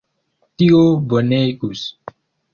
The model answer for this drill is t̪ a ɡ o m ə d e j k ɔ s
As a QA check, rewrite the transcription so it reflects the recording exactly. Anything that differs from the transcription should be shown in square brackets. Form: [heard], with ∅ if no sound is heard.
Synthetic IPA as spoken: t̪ [i] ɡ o [b] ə [n] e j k [u] s